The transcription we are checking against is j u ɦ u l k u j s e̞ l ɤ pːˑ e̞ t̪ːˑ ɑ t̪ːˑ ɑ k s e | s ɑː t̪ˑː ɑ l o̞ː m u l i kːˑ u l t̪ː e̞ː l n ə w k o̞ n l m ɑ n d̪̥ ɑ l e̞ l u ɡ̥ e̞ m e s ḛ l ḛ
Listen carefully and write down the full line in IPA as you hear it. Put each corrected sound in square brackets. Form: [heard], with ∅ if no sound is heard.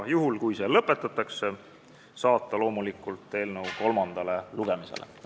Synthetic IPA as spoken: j u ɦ u l k u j s e̞ l ɤ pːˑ e̞ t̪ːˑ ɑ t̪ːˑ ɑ k s e | s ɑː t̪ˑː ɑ l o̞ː m u l i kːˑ u l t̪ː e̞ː l n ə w k o̞ [∅] l m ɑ n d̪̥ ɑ l e̞ l u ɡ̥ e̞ m [i] s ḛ l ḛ